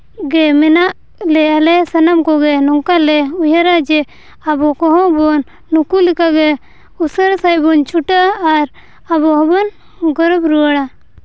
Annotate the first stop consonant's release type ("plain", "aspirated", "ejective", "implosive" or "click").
plain